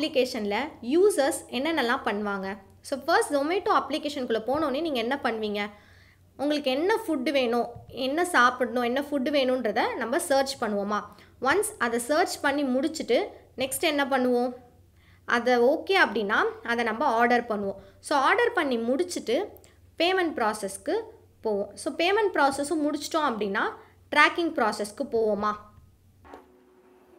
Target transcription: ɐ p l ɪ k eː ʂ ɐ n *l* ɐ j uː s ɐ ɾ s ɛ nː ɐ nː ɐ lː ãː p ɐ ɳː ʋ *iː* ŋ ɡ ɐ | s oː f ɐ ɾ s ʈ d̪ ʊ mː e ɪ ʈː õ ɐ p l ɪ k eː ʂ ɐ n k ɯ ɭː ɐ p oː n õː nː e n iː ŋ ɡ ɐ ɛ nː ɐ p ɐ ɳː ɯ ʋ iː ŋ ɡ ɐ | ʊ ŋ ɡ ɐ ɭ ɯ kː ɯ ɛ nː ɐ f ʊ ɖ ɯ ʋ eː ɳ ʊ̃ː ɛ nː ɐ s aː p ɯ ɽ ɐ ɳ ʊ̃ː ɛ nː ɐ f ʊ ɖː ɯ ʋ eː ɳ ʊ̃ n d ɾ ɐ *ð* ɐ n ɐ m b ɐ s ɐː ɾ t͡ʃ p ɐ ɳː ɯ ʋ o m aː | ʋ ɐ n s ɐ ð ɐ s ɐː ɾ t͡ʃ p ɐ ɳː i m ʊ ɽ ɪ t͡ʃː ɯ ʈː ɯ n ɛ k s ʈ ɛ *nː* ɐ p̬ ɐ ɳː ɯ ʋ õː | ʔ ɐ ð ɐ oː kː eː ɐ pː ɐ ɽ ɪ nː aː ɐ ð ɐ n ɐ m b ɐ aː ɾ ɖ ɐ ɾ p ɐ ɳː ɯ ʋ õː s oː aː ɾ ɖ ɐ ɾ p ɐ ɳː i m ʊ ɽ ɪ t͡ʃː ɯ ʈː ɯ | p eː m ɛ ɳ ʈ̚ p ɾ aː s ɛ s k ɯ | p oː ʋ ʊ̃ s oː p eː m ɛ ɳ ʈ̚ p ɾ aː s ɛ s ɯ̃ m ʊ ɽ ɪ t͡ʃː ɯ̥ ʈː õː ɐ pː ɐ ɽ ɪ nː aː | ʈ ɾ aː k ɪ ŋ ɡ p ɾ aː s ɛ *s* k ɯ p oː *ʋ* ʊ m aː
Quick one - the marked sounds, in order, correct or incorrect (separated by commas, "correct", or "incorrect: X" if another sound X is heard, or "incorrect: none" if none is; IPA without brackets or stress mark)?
correct, incorrect: aː, correct, correct, correct, correct